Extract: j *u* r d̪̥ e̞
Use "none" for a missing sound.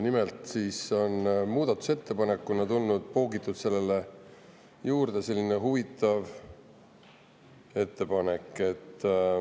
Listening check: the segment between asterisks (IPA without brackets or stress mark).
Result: uː